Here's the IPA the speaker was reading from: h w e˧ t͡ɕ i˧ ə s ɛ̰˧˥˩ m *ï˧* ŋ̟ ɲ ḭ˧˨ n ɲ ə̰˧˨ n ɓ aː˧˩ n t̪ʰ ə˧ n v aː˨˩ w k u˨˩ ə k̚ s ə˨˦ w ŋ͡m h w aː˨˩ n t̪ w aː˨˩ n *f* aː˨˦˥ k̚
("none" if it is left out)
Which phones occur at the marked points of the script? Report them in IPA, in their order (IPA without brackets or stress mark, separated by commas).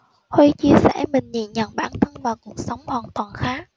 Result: ï˨˩, x